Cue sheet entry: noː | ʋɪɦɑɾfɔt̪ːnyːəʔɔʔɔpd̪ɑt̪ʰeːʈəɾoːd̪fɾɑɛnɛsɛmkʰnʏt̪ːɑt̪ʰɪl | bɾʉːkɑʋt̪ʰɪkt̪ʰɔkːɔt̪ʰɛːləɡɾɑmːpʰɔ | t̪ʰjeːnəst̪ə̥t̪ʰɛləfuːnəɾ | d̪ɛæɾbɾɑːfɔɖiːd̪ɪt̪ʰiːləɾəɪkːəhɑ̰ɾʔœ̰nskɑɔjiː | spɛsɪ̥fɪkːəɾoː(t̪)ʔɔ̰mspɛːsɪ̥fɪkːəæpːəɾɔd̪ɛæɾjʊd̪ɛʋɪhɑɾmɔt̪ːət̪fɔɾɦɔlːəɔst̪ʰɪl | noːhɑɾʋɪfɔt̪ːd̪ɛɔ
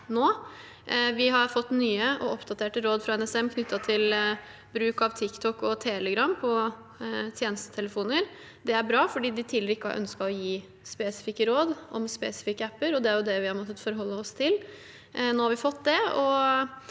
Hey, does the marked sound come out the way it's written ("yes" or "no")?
no